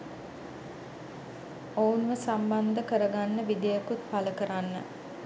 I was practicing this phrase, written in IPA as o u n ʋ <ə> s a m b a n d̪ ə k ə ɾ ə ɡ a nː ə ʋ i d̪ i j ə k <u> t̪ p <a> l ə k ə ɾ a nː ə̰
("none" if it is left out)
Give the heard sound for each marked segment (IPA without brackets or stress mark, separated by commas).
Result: ə, u, a